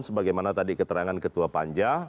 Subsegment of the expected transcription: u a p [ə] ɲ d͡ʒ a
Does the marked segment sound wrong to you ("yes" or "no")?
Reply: yes